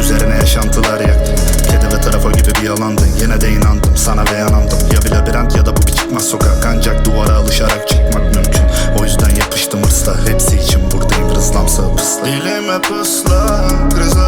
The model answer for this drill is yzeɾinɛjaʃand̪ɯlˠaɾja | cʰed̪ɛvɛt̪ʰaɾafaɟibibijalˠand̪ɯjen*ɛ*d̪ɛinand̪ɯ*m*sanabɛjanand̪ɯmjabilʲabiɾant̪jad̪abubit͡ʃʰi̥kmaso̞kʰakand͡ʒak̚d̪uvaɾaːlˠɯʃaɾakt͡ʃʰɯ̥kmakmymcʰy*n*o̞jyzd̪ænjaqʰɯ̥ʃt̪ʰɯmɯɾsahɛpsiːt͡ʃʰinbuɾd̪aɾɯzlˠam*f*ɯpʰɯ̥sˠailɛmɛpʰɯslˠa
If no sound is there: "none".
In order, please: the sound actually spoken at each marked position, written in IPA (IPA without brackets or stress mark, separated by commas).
ɛ, m, n, s